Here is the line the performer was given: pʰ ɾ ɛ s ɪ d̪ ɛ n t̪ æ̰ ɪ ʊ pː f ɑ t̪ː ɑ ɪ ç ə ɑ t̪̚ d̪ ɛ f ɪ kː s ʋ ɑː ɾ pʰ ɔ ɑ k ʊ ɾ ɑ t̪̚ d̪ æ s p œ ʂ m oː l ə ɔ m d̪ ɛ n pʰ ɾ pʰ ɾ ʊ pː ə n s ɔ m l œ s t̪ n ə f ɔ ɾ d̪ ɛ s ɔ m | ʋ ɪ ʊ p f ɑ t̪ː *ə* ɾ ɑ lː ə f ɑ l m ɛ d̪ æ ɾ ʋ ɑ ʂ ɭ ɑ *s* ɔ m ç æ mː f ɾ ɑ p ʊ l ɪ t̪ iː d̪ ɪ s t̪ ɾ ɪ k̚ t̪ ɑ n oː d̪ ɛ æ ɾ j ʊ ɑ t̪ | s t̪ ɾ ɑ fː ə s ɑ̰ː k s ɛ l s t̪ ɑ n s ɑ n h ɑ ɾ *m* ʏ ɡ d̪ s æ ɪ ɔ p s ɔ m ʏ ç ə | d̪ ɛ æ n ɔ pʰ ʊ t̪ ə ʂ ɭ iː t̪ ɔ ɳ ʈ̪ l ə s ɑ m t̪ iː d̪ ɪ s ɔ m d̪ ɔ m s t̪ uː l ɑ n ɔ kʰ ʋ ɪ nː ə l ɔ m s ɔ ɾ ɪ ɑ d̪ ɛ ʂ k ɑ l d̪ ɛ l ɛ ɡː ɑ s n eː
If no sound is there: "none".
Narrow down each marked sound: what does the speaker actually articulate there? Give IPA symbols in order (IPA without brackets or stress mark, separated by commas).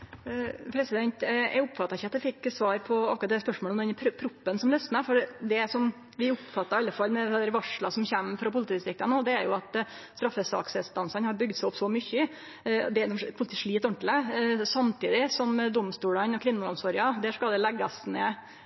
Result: ɑ, s, b